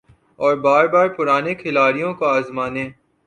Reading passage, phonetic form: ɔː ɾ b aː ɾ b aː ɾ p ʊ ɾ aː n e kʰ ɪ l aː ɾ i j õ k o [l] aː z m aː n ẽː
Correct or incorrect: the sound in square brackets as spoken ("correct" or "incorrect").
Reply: incorrect